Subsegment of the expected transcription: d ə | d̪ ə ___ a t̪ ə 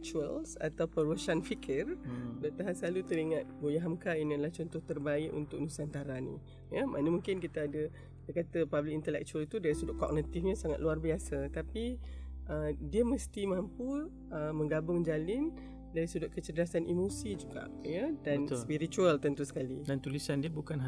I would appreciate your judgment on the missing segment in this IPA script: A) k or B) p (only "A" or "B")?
A